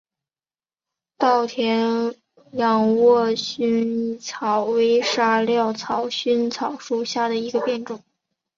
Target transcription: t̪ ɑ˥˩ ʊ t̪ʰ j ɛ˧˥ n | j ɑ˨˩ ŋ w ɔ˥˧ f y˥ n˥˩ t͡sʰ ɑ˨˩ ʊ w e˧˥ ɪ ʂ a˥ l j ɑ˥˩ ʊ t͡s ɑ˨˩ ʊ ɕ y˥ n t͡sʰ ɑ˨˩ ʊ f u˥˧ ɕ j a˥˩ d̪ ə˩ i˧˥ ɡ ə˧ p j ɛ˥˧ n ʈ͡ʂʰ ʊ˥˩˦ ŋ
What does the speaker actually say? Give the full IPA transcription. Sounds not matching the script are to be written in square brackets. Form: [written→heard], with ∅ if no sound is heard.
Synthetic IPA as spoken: t̪ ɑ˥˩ ʊ t̪ʰ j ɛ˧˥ n | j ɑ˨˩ ŋ w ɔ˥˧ [f→ɕ] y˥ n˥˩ t͡sʰ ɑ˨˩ ʊ w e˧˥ ɪ ʂ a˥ l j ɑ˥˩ ʊ [t͡s→t͡sʰ] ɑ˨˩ ʊ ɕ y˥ n t͡sʰ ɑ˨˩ ʊ [f→ʂ] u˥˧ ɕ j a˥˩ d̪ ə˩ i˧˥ ɡ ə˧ p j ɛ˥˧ n [ʈ͡ʂʰ→ʈ͡ʂ] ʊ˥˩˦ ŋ